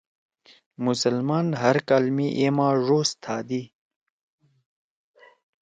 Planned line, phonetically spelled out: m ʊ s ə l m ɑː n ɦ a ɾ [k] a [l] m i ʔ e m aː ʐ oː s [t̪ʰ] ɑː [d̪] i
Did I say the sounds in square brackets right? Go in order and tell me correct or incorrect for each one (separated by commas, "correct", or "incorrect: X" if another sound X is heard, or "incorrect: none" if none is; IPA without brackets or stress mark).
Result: correct, correct, correct, correct